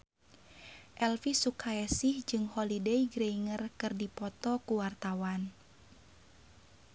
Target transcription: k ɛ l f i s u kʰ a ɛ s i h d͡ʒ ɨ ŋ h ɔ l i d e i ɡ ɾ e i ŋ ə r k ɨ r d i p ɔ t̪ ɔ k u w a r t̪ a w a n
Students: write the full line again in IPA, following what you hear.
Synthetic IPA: ʔ ɛ l f i s u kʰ a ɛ s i h d͡ʒ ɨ ŋ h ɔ l i d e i ɡ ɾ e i ŋ ə r k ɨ r d i p ɔ t̪ ɔ k u w a r t̪ a w a n